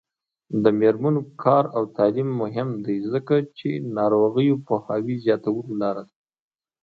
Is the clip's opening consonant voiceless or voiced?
voiced